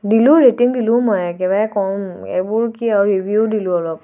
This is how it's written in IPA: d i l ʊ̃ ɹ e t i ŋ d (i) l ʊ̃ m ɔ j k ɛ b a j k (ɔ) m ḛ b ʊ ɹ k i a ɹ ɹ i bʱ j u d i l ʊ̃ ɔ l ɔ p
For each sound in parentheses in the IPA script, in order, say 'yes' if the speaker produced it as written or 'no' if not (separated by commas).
yes, yes